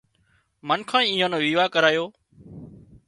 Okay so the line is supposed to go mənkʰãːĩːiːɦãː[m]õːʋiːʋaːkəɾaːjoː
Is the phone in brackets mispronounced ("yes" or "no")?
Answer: yes